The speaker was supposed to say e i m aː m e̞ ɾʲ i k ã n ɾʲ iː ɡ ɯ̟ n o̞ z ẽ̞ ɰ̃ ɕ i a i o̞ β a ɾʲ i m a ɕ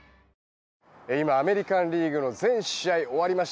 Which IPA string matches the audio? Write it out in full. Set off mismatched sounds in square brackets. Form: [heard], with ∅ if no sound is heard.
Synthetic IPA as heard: e i m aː m e̞ ɾʲ i k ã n ɾʲ iː ɡ ɯ̟ n o̞ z ẽ̞ ɰ̃ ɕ i a i o̞ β a ɾʲ i m a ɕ